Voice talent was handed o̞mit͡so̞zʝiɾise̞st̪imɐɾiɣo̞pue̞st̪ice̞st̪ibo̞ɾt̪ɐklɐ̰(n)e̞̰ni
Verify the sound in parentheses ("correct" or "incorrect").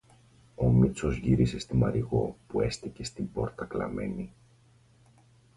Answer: incorrect